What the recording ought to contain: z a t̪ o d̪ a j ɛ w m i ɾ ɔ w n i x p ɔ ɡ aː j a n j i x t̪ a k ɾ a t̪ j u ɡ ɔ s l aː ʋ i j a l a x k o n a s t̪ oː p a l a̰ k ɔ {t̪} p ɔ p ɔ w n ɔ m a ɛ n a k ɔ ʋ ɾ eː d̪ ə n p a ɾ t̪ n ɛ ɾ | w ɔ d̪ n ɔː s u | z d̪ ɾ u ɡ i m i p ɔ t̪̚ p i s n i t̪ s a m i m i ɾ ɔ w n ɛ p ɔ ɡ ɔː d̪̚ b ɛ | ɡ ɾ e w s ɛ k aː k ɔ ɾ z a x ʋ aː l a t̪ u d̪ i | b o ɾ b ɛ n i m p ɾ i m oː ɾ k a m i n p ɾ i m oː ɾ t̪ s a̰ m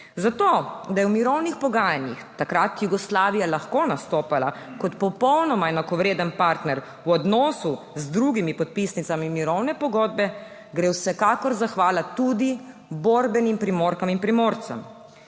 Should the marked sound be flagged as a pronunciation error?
no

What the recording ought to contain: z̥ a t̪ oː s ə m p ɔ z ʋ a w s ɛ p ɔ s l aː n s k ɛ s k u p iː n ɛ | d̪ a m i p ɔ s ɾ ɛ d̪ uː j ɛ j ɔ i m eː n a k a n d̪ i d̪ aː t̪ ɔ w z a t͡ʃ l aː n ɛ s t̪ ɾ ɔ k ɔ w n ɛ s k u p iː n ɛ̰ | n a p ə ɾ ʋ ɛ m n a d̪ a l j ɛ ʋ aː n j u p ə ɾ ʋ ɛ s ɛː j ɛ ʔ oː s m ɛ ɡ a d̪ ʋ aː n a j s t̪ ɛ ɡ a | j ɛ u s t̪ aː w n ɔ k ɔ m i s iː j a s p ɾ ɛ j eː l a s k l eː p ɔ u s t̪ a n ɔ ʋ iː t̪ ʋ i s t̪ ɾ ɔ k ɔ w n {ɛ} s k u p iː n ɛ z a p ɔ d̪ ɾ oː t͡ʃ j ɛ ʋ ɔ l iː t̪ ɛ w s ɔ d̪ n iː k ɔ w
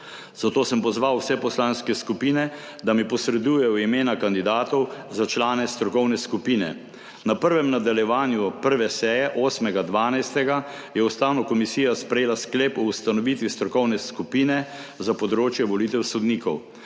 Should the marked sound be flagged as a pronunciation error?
no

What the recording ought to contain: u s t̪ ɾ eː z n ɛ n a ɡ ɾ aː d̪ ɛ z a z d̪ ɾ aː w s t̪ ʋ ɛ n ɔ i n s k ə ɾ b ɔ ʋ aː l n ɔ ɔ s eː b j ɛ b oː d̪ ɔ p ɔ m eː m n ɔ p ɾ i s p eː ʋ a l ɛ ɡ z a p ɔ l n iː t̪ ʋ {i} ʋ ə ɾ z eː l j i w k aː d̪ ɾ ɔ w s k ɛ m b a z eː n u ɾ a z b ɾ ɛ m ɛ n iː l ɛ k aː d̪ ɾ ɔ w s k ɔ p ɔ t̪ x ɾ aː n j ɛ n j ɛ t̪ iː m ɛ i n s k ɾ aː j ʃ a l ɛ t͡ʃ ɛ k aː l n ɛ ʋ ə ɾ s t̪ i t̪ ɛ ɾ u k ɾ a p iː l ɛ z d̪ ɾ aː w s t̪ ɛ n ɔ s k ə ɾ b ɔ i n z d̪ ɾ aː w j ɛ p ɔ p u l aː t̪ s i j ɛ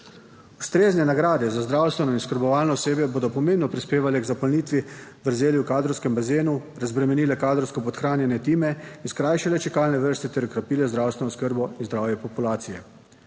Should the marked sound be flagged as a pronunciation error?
no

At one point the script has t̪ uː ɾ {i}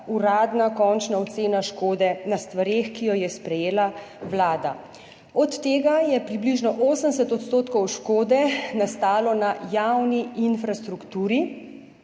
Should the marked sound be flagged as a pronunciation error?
no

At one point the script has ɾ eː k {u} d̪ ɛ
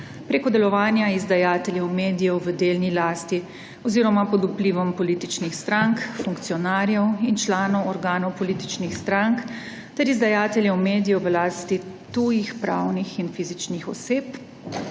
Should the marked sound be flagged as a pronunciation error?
yes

